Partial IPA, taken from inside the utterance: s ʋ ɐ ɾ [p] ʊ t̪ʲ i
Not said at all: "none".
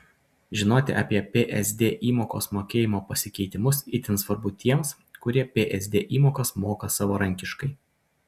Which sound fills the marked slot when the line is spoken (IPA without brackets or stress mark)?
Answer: b